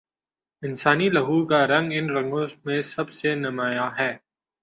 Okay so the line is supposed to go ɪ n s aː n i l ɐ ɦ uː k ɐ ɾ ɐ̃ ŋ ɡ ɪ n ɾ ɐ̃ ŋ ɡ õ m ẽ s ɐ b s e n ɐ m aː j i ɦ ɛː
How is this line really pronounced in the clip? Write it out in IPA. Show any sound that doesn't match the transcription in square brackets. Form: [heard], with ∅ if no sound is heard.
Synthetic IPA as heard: ɪ n s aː n i l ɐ ɦ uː k [a] ɾ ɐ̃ ŋ ɡ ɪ n ɾ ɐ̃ ŋ ɡ õ m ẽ s ɐ b s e n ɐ m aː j [a] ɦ ɛː